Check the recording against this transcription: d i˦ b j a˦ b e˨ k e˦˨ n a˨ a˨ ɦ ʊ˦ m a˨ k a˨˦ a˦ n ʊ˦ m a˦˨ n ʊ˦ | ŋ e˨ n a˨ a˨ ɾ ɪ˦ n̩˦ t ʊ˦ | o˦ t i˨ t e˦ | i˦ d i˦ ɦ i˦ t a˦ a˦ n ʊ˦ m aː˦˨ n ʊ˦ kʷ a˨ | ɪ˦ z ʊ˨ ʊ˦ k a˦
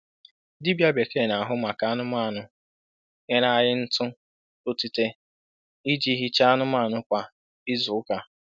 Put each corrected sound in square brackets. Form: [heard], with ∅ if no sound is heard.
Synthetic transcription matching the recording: d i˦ b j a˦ b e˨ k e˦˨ n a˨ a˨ ɦ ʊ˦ m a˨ k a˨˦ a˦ n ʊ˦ m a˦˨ n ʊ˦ | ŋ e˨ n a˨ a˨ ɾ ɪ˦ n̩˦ t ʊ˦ | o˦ t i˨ t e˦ | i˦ [d͡ʒ] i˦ ɦ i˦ [t͡ʃ] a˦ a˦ n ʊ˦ m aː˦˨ n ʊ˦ kʷ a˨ | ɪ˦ z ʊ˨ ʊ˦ k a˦